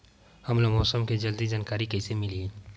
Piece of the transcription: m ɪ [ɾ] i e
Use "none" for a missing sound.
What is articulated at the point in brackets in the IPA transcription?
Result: l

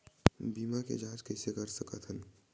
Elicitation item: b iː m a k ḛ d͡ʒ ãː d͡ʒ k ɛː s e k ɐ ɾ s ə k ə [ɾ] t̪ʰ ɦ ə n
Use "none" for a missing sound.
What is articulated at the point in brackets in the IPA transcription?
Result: none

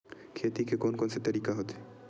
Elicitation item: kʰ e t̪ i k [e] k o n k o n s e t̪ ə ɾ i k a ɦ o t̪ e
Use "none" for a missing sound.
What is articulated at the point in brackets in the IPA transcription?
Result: e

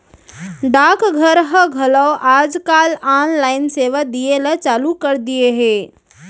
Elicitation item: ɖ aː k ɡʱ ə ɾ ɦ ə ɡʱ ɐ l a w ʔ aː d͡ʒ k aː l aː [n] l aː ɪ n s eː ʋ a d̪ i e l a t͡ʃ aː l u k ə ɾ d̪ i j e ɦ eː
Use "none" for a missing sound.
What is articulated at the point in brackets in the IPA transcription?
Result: n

